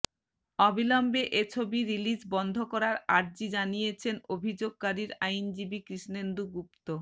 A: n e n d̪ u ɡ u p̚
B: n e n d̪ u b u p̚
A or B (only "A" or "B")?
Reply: A